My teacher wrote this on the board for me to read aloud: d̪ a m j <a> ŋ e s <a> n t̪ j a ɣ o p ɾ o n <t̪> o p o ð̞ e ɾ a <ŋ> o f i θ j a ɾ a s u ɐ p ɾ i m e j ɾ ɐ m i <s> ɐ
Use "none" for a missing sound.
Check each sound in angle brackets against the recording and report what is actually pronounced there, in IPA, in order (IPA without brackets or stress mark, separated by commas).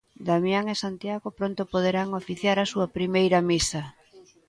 a, a, t̪, ŋ, s